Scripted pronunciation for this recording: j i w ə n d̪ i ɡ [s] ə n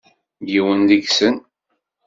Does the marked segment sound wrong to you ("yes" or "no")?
no